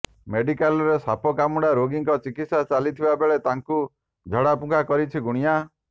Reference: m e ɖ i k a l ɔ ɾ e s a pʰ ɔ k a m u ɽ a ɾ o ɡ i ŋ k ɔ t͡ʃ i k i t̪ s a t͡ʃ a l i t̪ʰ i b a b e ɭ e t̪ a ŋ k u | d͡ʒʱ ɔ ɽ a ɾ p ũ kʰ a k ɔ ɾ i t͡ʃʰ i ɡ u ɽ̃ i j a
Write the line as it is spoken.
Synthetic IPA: m e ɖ i k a l ɔ ɾ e s a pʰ ɔ k a m u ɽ a ɾ o ɡ i ŋ k ɔ t͡ʃ i k i t̪ s a t͡ʃ a l i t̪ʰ i b a b e ɭ e t̪ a ŋ k u | d͡ʒʱ ɔ ɽ a p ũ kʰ a k ɔ ɾ i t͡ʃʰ i ɡ u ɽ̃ i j a